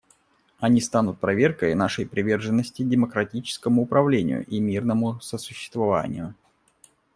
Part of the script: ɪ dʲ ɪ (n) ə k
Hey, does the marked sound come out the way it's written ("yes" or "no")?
no